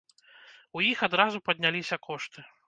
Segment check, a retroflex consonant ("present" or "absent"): present